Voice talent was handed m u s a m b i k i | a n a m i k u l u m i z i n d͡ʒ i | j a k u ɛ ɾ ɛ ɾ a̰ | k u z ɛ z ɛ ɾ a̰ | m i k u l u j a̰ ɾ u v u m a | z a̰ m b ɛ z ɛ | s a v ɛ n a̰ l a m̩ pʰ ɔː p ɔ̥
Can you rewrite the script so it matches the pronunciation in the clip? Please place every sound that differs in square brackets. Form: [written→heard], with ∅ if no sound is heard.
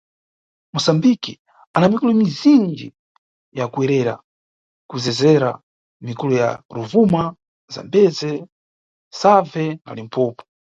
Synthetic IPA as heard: m u s a m b i k i | a n a m i k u l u m i z i n d͡ʒ i | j a k u ɛ ɾ ɛ ɾ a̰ | k u z ɛ z ɛ ɾ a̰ | m i k u l u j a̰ ɾ u v u m a | z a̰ m b ɛ z ɛ | s a v ɛ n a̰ l [a→i] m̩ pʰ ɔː p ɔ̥